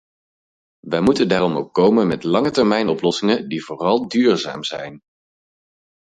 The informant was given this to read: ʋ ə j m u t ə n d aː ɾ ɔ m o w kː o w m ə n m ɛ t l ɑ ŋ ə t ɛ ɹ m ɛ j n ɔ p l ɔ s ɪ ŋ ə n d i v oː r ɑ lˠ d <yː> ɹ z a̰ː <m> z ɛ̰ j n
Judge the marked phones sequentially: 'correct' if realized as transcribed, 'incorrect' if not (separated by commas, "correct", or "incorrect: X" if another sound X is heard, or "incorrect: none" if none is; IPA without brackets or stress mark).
correct, correct